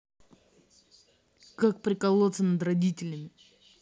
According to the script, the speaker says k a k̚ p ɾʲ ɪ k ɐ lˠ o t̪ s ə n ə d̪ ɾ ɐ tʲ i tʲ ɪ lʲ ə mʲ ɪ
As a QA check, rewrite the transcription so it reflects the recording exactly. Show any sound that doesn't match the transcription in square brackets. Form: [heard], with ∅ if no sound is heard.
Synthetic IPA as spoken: k a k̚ p ɾʲ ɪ k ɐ lˠ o t̪ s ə n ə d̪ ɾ ɐ [dʲ] i tʲ ɪ lʲ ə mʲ ɪ